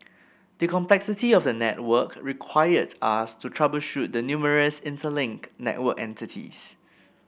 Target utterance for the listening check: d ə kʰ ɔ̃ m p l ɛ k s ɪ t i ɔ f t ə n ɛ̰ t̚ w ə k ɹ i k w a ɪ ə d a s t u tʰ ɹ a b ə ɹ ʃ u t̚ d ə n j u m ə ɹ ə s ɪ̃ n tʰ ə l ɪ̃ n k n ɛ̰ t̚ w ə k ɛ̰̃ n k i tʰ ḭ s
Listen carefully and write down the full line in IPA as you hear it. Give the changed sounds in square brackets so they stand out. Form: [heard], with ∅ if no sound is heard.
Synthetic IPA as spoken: d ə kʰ ɔ̃ m p l ɛ k s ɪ t i ɔ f [d] ə n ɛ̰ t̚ w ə k ɹ i [kʰ] w a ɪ ə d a s t u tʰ ɹ a b ə [l] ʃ u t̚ d ə n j u m ə ɹ ə s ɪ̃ n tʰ ə l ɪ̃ [ŋ] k n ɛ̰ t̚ w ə k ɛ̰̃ n [t] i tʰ ḭ s